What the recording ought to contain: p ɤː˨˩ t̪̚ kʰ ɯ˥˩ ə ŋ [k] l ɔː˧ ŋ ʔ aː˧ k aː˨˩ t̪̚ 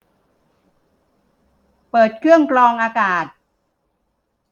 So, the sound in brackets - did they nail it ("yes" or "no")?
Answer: yes